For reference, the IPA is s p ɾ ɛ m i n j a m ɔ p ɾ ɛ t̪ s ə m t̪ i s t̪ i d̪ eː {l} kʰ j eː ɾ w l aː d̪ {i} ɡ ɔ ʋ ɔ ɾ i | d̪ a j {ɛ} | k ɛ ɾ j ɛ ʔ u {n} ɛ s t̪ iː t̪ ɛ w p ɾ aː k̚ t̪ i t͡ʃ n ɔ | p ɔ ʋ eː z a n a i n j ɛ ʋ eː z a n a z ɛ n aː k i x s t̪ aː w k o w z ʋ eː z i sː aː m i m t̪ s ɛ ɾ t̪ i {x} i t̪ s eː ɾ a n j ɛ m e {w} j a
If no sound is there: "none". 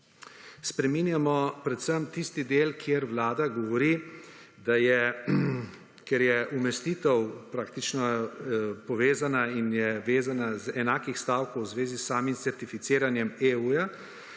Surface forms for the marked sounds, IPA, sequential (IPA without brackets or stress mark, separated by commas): l, a, ɛ, m, f, u